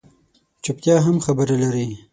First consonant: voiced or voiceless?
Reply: voiceless